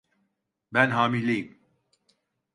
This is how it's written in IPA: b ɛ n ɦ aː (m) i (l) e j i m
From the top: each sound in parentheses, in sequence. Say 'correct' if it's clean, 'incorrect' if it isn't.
correct, correct

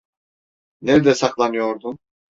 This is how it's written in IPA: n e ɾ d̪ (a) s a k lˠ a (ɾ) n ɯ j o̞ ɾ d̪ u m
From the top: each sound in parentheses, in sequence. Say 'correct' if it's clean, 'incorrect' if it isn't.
incorrect, incorrect

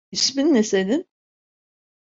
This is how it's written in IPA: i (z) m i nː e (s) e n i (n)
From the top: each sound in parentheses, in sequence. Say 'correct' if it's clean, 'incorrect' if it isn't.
incorrect, correct, correct

